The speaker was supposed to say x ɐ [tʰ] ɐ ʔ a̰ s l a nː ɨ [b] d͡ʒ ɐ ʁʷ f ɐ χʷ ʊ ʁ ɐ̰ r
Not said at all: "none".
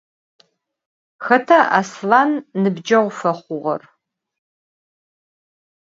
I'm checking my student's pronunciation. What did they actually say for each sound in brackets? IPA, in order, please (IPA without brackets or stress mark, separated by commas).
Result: tʰ, b